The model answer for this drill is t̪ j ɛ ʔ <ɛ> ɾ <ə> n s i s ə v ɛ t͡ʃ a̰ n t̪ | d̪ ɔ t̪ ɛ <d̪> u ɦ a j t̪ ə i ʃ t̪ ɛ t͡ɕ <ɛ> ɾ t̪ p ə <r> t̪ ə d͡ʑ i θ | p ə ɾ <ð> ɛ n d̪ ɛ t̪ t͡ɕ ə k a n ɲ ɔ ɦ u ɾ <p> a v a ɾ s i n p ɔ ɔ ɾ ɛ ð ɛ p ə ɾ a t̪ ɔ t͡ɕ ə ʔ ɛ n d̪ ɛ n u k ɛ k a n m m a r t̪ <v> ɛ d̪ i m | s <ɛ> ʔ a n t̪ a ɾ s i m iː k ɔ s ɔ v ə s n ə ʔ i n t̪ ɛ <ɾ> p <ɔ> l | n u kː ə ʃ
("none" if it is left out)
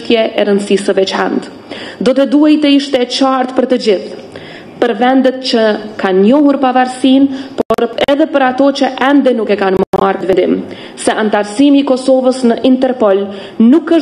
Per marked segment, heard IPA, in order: ɛ, ə, d̪, a, ɾ, v, p, v, ɛ, ɾ, ɔ

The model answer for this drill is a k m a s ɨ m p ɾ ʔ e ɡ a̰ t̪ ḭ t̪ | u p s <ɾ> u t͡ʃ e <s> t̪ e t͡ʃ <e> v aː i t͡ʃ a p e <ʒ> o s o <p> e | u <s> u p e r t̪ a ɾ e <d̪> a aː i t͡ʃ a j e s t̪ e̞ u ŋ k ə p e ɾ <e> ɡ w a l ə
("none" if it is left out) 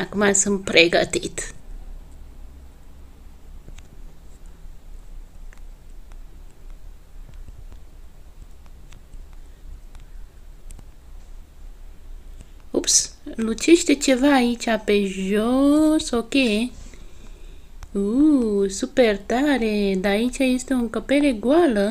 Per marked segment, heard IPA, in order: l, ʃ, e, ʒ, k, s, d̪, e

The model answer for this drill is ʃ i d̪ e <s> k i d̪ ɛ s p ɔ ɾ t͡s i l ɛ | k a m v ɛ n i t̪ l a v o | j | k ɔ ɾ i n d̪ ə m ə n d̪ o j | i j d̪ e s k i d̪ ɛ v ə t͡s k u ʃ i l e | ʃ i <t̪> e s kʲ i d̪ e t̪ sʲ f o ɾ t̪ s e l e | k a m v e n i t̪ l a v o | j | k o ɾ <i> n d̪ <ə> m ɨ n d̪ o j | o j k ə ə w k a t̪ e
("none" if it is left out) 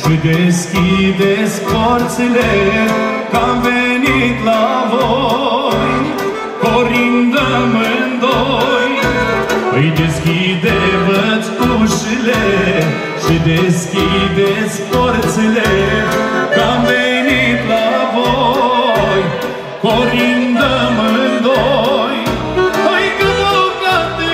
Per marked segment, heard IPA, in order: s, d̪, i, ə

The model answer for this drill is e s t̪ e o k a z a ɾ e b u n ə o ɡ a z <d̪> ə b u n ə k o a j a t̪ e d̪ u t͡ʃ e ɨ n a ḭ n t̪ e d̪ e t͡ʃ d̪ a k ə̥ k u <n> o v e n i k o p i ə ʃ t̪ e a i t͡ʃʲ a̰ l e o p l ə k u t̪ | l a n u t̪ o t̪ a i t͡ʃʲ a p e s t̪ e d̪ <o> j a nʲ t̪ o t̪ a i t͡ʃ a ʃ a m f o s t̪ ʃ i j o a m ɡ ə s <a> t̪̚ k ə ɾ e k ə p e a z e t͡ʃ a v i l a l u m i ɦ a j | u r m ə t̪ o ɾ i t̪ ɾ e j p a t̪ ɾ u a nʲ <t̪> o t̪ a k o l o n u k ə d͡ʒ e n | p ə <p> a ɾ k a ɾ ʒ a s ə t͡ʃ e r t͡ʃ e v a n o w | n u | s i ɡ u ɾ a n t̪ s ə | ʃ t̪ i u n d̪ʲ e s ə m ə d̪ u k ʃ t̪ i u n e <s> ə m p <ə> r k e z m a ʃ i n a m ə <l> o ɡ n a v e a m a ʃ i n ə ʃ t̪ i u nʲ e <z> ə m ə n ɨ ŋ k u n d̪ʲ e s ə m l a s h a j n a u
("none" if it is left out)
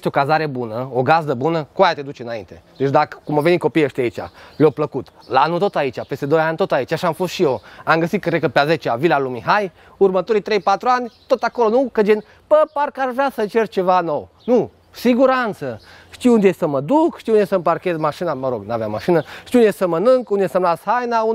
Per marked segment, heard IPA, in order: d̪, m, o, i, t̪, p, s, a, ɾ, s

